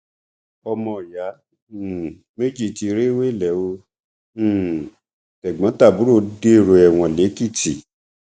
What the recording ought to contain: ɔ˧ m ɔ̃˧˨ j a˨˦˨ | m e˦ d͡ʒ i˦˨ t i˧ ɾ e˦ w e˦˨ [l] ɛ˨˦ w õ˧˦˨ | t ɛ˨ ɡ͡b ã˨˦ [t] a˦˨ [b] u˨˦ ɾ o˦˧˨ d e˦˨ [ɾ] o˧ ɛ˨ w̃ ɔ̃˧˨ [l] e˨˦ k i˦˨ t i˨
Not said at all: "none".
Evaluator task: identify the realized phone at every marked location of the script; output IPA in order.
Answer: l, t, b, ɾ, l

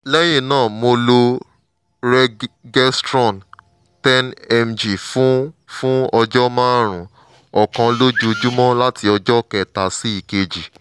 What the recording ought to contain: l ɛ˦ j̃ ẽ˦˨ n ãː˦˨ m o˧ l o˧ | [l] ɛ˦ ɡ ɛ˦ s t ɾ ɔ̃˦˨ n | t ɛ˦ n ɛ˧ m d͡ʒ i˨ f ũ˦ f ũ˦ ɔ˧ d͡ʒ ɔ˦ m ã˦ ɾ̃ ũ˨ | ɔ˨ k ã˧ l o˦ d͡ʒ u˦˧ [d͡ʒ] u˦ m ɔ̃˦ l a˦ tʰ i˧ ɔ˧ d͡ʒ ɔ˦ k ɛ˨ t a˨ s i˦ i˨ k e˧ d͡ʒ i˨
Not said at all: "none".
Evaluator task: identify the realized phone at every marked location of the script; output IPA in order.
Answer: ɾ, d͡ʒ

